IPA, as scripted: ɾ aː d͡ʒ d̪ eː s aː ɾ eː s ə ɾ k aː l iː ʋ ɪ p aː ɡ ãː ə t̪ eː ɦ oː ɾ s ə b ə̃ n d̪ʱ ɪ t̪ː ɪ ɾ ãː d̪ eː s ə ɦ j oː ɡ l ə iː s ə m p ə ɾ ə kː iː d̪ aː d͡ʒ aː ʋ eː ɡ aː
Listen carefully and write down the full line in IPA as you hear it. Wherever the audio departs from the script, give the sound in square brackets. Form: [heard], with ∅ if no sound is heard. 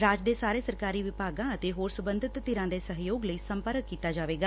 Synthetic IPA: ɾ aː d͡ʒ d̪ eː s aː ɾ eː s ə ɾ k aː [ɾ] iː ʋ ɪ p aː ɡ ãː ə t̪ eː ɦ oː ɾ s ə b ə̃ n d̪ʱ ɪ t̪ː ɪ ɾ ãː d̪ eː s ə ɦ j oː ɡ l ə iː s ə m p ə ɾ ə kː iː [t̪] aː d͡ʒ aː ʋ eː ɡ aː